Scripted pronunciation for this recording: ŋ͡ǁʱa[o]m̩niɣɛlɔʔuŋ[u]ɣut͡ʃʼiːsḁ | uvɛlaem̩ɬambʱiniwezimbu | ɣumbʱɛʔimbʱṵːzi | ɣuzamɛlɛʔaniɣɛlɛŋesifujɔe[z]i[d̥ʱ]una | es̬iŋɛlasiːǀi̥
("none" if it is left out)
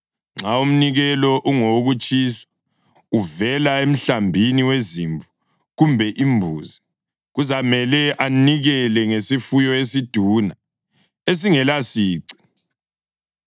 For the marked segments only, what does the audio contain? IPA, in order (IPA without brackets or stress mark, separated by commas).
u, o, s, d̥ʱ